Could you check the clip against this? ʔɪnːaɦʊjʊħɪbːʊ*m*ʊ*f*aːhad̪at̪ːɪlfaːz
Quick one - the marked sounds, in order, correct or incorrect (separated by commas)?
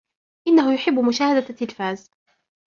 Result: correct, incorrect